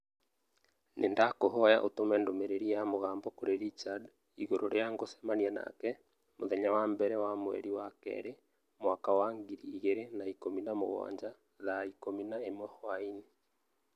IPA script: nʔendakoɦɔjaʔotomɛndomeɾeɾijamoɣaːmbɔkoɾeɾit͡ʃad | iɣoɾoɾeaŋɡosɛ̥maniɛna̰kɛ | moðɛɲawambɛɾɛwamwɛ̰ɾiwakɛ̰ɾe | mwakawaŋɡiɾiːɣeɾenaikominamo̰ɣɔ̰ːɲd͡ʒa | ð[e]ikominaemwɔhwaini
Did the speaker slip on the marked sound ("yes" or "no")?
yes